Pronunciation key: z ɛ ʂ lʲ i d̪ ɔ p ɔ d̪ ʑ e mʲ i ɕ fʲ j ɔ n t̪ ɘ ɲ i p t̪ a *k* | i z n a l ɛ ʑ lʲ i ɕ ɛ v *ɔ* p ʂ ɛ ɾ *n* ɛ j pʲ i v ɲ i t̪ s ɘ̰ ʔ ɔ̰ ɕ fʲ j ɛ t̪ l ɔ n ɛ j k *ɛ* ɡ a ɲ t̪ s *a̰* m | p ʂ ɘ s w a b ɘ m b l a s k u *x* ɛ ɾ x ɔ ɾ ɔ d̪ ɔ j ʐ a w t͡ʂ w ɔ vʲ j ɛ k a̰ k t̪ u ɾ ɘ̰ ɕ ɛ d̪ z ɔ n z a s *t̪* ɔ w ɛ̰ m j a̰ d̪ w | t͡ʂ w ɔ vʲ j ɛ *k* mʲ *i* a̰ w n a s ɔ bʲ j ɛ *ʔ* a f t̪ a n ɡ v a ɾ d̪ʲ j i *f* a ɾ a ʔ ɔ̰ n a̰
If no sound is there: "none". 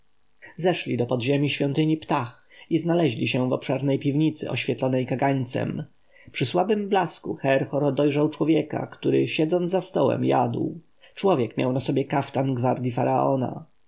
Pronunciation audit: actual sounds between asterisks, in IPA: x, ɔ, n, a, ɛ̰, x, t̪, k, j, k, f

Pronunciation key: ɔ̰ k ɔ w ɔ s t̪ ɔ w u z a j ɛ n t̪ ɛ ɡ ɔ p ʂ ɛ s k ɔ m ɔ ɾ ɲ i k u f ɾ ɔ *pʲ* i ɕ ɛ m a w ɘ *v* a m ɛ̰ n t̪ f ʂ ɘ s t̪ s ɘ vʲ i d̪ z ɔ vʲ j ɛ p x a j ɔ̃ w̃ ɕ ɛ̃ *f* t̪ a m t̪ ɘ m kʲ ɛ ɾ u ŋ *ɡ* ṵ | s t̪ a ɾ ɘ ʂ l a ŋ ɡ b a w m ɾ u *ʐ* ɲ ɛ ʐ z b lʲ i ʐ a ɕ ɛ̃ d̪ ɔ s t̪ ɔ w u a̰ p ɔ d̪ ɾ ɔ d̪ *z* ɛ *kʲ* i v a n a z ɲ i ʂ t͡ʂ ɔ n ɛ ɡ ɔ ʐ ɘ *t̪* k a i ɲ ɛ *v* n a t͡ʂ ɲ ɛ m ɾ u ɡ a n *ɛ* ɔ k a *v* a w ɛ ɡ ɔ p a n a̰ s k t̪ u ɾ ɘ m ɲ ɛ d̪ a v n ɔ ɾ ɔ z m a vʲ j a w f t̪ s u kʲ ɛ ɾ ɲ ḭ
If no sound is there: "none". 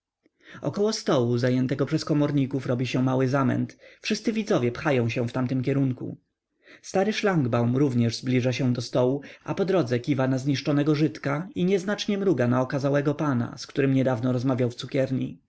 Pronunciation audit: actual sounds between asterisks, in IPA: bʲ, z, f, k, v, z, kʲ, t̪, z, a, z

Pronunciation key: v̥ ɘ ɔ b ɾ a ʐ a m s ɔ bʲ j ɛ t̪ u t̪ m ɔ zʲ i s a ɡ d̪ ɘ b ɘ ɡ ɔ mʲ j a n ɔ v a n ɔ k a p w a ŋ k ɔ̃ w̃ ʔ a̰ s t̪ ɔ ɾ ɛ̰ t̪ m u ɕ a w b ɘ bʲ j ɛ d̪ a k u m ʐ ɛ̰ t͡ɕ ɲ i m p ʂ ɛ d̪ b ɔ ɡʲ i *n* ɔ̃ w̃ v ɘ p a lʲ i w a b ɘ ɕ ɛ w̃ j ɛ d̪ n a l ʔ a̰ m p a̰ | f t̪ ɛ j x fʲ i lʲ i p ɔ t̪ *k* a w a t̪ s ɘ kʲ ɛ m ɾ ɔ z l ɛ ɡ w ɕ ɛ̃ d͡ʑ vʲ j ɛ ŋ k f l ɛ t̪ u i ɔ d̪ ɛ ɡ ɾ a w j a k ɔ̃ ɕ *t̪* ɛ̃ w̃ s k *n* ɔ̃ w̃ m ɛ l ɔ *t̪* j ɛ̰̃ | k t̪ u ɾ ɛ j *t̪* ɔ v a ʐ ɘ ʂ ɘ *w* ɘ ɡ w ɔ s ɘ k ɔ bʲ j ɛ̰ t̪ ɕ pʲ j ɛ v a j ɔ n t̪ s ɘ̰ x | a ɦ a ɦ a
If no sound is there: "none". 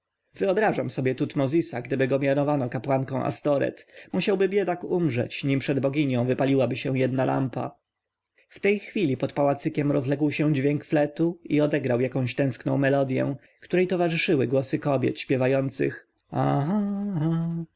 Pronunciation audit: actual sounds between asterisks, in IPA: ɲ, p, t̪, n, d̪, t̪, w

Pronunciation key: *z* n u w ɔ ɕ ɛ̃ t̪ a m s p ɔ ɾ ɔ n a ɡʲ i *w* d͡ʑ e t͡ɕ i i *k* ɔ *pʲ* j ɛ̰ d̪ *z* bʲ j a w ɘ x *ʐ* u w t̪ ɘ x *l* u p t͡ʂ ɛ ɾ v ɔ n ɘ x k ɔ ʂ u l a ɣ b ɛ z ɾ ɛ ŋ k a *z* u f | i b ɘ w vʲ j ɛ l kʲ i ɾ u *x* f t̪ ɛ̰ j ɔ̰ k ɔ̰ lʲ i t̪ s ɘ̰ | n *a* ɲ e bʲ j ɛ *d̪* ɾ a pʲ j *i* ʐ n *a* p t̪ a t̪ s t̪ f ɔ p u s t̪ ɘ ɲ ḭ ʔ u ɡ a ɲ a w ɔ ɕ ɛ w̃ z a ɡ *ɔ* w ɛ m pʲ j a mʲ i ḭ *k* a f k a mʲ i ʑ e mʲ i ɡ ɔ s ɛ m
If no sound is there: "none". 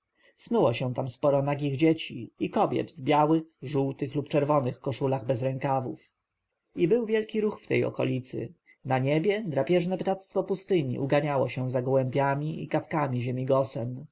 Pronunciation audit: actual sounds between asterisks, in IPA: s, ɣ, k, bʲ, v, ʐ, l, v, x, a, d̪, ɛ, ɛ, ɔ, k

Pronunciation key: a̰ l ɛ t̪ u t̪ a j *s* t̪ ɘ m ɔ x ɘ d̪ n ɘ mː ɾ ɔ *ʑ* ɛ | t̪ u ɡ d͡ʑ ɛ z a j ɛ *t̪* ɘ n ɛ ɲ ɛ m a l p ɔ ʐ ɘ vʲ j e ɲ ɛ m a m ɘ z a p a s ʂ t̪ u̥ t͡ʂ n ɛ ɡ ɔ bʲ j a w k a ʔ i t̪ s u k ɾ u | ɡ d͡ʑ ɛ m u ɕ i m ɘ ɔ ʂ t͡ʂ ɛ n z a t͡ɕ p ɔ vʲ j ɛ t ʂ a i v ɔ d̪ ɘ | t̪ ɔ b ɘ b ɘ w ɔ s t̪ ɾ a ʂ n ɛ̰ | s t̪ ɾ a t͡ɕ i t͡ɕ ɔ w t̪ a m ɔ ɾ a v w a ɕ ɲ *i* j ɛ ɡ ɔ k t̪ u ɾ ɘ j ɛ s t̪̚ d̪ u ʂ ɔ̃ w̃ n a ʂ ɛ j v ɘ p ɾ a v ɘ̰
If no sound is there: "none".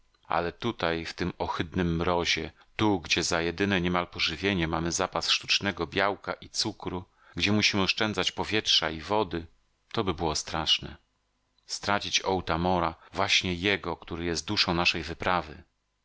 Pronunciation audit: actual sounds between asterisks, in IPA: f, ʑ, d̪, ɛ

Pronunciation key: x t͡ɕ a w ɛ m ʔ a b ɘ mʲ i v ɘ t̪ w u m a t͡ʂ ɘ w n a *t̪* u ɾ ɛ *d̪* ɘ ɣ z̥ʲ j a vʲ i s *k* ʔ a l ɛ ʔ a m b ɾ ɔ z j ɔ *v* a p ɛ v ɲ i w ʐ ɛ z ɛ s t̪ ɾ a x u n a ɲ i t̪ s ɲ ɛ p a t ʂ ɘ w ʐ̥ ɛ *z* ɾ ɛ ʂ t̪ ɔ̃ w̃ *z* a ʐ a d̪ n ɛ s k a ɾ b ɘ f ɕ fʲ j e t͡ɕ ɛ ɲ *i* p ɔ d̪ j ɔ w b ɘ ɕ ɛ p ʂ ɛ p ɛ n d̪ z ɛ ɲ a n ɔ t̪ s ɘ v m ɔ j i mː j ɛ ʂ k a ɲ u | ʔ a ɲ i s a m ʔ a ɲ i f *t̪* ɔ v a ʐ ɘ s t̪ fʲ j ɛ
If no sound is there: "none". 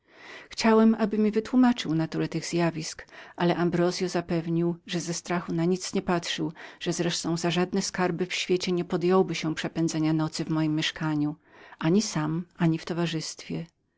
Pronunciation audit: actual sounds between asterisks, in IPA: t̪, t̪, k, z, z, z, ɛ, t̪

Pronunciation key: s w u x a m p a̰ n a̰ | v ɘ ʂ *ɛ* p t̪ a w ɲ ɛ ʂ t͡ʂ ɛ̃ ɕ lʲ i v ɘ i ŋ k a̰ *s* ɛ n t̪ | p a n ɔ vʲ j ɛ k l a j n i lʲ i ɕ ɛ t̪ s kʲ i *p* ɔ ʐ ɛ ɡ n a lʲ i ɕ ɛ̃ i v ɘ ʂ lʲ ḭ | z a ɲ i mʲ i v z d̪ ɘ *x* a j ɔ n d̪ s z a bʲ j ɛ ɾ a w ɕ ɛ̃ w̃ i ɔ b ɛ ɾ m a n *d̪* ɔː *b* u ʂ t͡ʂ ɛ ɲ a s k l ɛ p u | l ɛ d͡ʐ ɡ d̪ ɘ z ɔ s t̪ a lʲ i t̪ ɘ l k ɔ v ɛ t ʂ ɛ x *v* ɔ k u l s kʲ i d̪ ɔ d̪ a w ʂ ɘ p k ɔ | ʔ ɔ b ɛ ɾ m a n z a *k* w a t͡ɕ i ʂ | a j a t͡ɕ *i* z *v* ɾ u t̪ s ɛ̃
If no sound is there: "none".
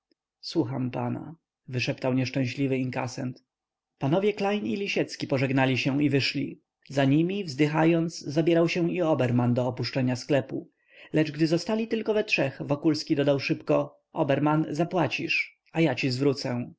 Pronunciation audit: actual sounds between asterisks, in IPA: ɛ, s, p, x, d̪, p, v, p, i, v

